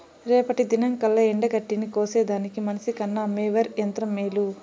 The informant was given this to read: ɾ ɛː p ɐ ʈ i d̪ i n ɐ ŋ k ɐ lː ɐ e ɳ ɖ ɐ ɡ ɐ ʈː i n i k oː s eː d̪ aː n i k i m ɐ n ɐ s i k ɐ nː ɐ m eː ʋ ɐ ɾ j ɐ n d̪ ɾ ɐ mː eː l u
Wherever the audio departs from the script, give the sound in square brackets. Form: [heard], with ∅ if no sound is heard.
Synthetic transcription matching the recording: ɾ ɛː p ɐ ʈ i d̪ i n ɐ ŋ k ɐ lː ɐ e ɳ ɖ ɐ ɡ ɐ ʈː i n i k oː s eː d̪ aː n i k i m ɐ n ɐ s i k ɐ nː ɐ m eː ʋ ɐ ɾ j ɐ n [t̪] ɾ ɐ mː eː l u